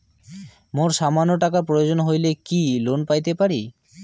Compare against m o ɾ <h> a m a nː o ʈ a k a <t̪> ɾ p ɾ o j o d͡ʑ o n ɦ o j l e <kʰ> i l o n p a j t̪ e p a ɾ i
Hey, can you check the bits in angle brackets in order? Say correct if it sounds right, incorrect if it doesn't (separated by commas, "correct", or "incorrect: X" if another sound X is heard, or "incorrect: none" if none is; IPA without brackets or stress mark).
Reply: incorrect: ʃ, incorrect: none, incorrect: k